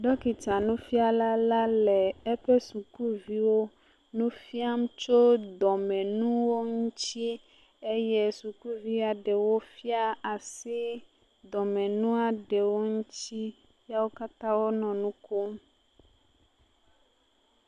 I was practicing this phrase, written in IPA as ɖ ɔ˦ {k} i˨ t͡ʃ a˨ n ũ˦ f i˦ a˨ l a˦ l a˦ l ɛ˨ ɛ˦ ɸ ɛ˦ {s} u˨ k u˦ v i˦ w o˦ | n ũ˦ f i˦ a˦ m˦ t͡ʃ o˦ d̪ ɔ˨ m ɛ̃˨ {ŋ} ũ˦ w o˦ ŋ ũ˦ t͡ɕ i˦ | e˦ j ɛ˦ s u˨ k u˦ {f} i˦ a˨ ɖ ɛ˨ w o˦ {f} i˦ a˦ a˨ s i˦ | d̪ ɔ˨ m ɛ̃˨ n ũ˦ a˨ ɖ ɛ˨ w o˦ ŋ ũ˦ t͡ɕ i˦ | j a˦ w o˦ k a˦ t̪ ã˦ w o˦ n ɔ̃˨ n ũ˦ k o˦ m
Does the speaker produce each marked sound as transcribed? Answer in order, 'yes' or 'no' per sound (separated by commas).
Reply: yes, yes, no, no, yes